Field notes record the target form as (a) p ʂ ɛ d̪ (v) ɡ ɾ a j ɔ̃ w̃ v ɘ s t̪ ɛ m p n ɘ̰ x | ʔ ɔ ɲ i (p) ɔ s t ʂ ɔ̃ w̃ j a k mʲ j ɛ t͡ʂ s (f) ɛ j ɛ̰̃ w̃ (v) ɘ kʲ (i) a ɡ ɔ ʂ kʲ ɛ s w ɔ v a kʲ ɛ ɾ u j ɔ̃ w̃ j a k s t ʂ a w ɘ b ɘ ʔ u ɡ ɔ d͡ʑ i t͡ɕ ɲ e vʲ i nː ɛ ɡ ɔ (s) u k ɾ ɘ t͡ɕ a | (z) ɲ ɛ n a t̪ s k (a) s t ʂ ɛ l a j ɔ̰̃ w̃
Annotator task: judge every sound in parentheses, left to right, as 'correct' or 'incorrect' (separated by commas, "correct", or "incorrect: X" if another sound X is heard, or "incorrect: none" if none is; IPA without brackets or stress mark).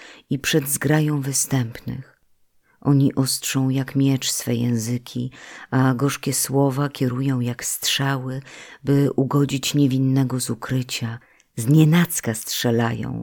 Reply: incorrect: i, incorrect: z, incorrect: ʔ, correct, incorrect: z, correct, incorrect: z, correct, correct